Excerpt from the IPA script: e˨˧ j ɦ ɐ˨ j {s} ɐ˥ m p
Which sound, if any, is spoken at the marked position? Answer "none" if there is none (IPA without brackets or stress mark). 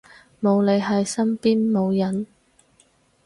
s